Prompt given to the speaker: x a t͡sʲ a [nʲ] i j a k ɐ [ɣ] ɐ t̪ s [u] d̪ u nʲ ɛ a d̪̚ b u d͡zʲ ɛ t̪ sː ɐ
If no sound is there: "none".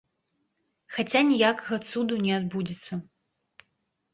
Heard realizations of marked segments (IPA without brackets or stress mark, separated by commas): nʲ, ɣ, u